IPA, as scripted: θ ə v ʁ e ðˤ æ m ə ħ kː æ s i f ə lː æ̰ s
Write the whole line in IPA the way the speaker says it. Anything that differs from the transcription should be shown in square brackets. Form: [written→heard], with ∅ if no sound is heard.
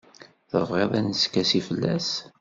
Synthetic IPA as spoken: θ ə v ʁ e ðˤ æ [m→n] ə [ħ→s] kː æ s i f ə lː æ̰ s